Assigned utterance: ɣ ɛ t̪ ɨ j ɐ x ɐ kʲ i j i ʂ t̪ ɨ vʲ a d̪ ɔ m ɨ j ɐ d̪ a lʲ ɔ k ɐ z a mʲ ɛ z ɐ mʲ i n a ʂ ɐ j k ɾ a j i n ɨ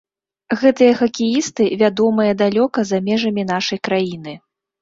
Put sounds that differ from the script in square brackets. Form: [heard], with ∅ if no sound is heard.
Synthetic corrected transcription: ɣ ɛ t̪ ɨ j ɐ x ɐ kʲ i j i [s] t̪ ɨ vʲ a d̪ ɔ m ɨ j ɐ d̪ a lʲ ɔ k ɐ z a mʲ ɛ [ʐ] ɐ mʲ i n a ʂ ɐ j k ɾ a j i n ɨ